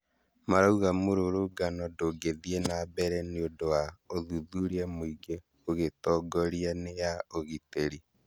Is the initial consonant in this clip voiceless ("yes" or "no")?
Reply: no